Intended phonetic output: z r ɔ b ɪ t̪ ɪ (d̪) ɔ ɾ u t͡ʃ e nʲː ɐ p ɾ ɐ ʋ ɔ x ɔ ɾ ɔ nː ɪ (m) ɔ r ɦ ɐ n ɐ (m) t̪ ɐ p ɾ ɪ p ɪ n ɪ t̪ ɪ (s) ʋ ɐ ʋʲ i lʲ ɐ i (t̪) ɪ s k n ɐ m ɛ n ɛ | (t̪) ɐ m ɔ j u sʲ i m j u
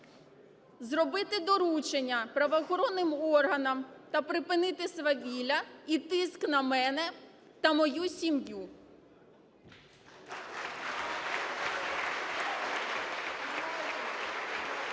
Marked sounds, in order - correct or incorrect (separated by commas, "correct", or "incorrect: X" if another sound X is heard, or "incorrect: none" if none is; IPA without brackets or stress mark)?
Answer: correct, correct, correct, correct, correct, correct